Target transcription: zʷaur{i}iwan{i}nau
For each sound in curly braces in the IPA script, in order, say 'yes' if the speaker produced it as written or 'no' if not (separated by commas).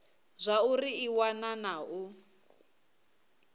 yes, no